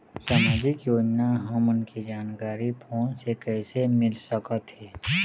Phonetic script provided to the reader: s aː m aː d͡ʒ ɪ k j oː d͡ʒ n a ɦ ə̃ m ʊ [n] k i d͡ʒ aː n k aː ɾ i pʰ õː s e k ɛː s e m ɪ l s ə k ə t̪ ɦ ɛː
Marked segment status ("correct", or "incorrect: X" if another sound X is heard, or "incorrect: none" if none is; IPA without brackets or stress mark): correct